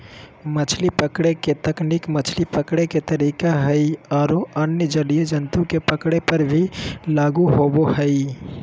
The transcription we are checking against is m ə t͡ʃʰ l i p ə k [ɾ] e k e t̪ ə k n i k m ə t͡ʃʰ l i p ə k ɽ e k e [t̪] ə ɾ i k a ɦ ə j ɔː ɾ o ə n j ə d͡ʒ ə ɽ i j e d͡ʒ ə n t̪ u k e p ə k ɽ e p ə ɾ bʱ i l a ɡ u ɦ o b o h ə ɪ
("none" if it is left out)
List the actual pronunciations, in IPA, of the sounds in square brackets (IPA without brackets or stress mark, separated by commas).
ɽ, t̪